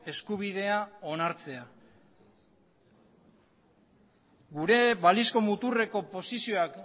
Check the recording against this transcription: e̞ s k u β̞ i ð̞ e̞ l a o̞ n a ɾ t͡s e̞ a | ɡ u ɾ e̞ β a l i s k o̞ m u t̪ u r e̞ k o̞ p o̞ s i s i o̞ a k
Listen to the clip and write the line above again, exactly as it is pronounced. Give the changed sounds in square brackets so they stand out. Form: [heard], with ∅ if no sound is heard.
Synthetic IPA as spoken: e̞ s k u β̞ i ð̞ e̞ [∅] a o̞ n a ɾ t͡s e̞ a | ɡ u ɾ e̞ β a l i s k o̞ m u t̪ u r e̞ k o̞ p o̞ s i s i o̞ a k